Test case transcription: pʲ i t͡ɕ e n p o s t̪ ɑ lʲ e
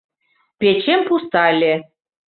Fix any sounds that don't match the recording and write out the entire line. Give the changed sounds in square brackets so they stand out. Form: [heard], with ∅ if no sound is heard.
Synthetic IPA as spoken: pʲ [e] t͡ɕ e [m] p [u] s t̪ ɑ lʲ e